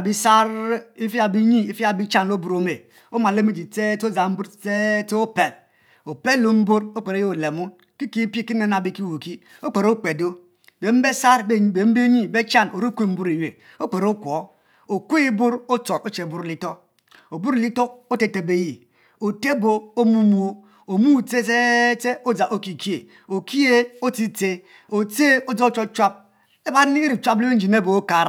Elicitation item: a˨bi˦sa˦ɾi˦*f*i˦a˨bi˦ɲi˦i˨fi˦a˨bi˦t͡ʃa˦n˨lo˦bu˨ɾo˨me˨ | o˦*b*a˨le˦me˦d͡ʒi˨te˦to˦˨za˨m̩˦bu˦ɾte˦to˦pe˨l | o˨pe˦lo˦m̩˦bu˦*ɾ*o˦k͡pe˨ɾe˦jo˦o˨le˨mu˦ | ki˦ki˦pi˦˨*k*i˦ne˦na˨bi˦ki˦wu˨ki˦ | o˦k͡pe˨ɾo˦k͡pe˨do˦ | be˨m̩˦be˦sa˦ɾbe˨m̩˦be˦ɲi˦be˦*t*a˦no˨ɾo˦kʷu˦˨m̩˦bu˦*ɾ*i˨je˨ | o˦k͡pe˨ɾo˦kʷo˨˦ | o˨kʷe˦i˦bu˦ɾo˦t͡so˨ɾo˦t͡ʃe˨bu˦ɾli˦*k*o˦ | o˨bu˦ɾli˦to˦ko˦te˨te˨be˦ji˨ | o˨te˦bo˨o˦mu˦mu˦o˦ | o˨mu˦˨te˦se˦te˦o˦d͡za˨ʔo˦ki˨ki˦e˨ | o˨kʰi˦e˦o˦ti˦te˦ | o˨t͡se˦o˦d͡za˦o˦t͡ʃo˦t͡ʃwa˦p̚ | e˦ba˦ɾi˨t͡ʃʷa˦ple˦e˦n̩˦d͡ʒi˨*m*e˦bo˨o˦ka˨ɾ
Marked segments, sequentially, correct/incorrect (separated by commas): correct, incorrect, correct, correct, incorrect, correct, incorrect, incorrect